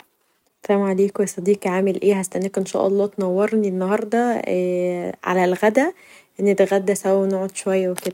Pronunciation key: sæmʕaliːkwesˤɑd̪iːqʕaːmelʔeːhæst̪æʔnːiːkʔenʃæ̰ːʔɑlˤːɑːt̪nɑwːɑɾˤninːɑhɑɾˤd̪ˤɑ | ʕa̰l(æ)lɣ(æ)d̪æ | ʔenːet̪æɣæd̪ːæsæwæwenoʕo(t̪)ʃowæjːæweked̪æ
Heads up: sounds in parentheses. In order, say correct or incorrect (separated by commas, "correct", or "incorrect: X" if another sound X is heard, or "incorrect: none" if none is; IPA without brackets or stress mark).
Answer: correct, correct, incorrect: d̪